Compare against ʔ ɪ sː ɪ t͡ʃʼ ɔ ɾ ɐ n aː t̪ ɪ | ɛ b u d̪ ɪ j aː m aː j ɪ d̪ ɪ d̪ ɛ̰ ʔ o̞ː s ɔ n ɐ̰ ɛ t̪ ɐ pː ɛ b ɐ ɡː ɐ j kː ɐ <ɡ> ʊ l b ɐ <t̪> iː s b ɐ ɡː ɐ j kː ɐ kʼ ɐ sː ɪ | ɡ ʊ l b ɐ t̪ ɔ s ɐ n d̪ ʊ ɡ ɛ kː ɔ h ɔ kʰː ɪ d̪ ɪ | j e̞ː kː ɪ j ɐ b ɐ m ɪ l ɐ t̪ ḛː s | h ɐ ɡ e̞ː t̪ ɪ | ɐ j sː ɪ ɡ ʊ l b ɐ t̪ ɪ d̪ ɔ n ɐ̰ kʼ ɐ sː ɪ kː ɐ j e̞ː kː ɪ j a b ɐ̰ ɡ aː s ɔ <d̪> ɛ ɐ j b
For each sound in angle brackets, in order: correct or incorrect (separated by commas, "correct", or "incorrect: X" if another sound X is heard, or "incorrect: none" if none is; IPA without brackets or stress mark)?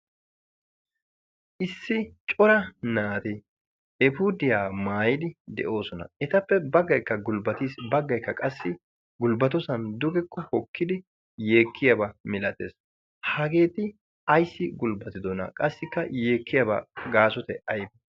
correct, correct, incorrect: t̪